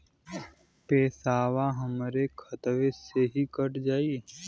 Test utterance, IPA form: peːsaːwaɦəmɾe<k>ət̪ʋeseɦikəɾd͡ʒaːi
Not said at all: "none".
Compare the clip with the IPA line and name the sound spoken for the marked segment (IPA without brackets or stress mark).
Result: kʰ